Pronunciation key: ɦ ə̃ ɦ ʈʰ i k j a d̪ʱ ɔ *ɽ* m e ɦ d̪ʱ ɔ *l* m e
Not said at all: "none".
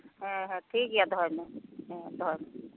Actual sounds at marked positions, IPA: ɾ, ɾ

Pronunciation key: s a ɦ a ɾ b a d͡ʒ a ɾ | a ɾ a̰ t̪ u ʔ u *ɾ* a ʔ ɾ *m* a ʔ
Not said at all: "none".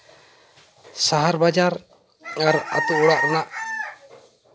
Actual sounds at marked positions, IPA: ɽ, n

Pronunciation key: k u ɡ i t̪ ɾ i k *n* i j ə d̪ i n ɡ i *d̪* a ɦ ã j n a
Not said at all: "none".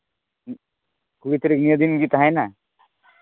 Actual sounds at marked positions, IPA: n, t̪

